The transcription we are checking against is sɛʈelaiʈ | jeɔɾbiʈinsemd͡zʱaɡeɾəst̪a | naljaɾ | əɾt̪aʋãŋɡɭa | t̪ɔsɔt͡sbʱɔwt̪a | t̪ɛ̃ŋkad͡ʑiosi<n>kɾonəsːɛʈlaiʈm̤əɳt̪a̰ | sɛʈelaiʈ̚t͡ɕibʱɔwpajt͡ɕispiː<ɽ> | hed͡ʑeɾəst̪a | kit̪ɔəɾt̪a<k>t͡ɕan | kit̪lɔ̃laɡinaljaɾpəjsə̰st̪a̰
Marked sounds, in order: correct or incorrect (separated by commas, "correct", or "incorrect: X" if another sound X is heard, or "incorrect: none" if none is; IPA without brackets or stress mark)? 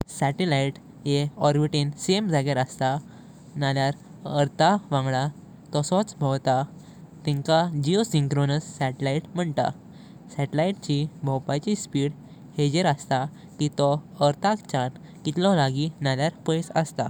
incorrect: ŋ, correct, correct